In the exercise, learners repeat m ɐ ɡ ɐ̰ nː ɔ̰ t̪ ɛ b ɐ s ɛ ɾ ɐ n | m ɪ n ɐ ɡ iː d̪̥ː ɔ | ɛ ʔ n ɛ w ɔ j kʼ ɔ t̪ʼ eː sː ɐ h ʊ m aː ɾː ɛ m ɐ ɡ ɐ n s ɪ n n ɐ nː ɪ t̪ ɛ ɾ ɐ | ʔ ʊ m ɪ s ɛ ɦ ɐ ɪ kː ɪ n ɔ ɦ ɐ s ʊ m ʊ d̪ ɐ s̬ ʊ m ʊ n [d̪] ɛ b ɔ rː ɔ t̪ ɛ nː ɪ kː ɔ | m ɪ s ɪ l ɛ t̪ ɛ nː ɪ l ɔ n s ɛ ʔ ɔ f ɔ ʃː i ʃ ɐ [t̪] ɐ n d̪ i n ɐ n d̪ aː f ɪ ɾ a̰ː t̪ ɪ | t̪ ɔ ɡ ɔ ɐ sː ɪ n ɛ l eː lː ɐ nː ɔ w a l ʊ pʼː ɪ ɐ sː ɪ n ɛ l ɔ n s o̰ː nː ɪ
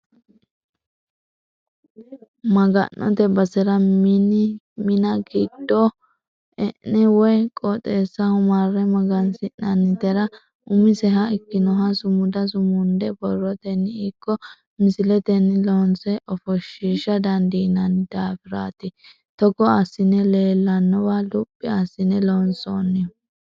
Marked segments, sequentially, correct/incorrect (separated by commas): correct, incorrect